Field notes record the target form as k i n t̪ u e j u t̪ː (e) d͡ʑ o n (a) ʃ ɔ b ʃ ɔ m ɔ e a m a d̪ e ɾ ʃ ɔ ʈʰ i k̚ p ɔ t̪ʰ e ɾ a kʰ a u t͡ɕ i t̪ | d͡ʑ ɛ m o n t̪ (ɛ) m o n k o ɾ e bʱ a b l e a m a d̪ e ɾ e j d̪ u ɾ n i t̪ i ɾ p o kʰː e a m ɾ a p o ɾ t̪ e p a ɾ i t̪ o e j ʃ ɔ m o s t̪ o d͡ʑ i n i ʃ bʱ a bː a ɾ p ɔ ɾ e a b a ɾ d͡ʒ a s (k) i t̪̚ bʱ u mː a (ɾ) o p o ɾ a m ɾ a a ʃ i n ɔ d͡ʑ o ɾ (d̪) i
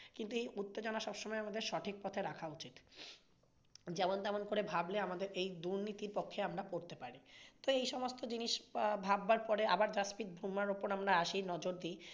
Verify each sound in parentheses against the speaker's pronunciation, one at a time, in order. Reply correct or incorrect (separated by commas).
correct, correct, correct, incorrect, correct, correct